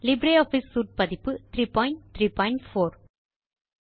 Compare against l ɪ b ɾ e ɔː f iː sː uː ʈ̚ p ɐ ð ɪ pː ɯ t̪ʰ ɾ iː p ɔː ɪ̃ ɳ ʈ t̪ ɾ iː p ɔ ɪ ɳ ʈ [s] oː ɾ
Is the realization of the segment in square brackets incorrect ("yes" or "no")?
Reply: yes